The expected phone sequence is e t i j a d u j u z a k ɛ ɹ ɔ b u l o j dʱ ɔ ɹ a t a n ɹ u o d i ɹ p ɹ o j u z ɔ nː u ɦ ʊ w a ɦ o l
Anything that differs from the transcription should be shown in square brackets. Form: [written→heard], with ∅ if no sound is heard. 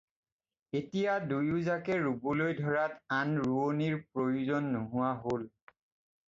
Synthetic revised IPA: e t i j a d u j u z a k ɛ ɹ [ɔ→u] b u l o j dʱ ɔ ɹ a t a n ɹ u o [d→n] i ɹ p ɹ o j u z ɔ nː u ɦ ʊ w a ɦ o l